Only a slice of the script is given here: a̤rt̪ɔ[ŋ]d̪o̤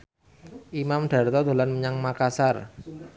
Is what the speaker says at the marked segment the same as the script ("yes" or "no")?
no